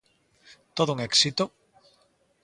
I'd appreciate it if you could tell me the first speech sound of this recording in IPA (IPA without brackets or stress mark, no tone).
t̪